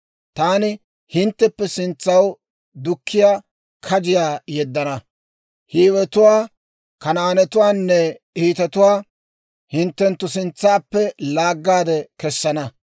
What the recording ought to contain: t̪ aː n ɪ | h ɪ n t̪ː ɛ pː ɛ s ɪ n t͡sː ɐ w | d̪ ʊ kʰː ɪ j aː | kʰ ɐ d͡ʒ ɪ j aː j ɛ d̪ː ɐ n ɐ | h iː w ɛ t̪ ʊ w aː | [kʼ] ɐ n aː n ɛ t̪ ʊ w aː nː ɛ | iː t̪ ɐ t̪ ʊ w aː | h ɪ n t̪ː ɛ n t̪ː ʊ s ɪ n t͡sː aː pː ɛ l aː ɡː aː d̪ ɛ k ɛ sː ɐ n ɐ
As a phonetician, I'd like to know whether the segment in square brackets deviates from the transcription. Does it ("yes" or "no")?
yes